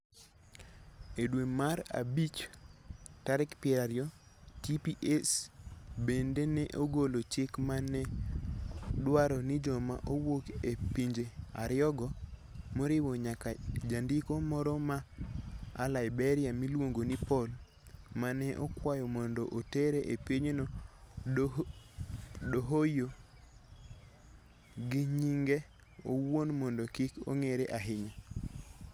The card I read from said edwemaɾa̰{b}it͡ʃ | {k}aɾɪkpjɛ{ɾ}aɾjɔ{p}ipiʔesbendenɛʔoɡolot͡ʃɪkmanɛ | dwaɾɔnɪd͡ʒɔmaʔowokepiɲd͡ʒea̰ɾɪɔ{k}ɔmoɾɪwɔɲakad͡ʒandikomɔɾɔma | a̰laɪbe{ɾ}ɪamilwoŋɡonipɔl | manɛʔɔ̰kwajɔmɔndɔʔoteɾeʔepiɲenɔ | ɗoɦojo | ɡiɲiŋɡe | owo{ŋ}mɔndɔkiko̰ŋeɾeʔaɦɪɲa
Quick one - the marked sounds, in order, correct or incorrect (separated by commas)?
correct, incorrect, correct, incorrect, incorrect, correct, incorrect